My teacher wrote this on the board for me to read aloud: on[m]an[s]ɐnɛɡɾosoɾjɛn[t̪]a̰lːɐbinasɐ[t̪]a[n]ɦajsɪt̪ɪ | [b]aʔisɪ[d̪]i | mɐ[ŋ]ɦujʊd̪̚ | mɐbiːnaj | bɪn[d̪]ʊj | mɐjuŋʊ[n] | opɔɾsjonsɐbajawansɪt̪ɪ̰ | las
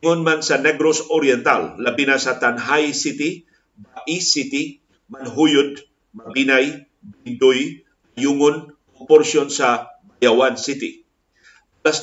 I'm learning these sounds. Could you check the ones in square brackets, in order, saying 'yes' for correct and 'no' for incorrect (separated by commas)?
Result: yes, yes, yes, yes, yes, yes, no, no, yes, yes